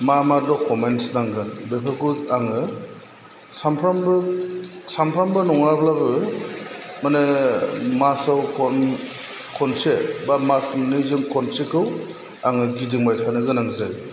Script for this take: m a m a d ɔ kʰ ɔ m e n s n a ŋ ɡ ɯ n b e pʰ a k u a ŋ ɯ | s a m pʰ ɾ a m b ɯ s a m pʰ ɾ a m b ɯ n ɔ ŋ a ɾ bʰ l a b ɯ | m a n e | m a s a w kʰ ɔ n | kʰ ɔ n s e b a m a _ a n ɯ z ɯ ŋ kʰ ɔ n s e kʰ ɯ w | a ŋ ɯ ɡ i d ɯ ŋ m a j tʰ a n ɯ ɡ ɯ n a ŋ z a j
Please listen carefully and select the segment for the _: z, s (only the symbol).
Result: s